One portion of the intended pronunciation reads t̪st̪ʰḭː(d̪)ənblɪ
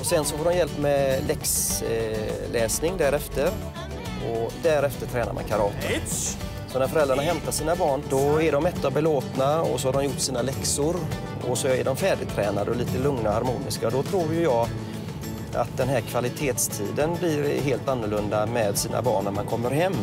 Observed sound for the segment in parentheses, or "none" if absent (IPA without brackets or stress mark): d̪